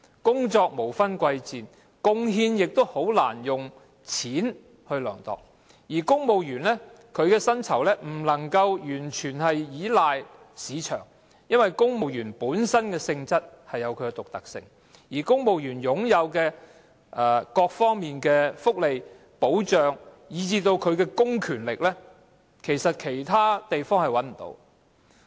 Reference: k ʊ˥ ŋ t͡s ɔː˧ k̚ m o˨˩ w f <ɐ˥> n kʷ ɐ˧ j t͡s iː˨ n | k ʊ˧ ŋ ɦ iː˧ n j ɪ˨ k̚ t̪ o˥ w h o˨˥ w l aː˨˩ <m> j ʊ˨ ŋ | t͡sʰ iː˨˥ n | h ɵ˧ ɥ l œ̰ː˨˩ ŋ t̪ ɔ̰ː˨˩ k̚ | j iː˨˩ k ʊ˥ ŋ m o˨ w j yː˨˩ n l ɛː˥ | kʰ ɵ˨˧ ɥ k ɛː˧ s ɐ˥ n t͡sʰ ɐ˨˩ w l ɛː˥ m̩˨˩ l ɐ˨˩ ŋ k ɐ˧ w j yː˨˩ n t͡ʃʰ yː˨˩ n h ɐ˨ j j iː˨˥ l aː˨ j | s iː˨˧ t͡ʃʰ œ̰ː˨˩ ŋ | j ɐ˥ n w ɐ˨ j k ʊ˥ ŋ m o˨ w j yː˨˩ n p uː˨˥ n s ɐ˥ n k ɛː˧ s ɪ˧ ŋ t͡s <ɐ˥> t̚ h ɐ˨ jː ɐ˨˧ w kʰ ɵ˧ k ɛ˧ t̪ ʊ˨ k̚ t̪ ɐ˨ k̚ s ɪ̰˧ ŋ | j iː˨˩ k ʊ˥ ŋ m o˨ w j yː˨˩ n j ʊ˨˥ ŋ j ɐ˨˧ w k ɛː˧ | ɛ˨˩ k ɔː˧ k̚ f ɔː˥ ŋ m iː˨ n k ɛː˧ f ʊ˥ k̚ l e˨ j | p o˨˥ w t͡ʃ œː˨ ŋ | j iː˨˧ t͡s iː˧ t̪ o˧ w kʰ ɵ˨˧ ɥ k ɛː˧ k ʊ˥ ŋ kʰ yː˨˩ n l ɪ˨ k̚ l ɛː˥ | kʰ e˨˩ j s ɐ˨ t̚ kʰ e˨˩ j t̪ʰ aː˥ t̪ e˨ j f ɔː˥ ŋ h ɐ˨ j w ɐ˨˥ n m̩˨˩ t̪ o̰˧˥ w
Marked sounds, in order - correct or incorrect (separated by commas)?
correct, incorrect, correct